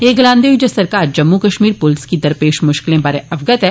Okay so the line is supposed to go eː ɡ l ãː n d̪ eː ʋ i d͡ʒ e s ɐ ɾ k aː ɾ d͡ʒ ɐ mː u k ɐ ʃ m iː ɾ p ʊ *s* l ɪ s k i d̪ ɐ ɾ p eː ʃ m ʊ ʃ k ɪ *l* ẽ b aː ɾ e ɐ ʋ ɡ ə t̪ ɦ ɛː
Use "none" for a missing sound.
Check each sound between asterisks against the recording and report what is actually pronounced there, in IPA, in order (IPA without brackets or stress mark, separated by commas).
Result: none, l